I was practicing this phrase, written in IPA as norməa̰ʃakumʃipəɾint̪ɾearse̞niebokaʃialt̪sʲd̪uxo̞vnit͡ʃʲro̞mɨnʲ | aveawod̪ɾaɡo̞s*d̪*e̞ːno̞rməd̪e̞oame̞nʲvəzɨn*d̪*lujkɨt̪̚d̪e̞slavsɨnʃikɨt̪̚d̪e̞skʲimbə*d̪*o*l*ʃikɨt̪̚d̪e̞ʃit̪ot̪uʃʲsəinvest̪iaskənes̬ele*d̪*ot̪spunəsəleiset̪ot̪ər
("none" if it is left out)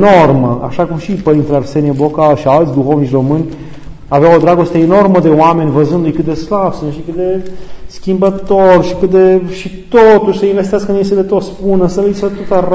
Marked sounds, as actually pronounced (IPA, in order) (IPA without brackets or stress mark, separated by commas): t̪, d̪, t̪, r, t̪